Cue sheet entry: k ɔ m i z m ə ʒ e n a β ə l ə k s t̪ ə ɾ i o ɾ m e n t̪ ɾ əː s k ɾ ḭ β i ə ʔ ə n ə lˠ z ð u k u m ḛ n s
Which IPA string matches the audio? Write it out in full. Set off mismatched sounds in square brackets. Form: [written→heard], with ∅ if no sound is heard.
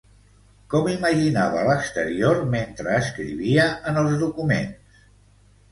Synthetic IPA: k ɔ m i [z→∅] m ə ʒ [e→i] n a β ə l ə k s t̪ ə ɾ i o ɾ m e n t̪ ɾ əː s k ɾ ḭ β i ə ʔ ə n ə lˠ z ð u k u m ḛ n s